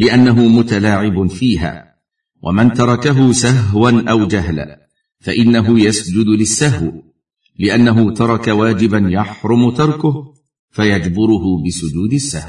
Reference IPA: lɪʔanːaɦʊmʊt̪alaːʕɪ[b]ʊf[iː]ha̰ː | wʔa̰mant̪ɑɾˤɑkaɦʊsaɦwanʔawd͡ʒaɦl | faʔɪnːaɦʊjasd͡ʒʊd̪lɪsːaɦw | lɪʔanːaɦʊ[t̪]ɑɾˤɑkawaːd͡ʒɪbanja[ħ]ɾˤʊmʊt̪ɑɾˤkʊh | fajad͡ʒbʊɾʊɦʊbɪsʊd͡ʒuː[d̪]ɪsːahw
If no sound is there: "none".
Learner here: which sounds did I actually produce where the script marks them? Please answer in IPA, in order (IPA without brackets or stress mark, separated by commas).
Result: b, iː, t̪, ħ, d̪